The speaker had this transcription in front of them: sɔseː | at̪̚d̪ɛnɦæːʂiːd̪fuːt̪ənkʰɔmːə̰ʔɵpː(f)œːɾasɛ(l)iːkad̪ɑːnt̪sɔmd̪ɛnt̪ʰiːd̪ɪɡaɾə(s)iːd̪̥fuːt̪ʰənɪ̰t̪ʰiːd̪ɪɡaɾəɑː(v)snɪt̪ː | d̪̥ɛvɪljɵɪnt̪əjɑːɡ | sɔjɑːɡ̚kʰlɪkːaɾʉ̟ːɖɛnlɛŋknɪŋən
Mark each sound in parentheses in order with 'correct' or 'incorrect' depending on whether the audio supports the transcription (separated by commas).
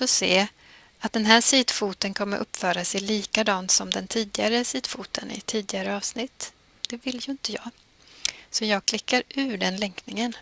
correct, correct, correct, correct